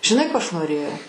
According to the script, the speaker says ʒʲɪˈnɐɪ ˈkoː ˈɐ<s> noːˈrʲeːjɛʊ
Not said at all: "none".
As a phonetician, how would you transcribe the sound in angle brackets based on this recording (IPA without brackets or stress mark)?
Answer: ʃ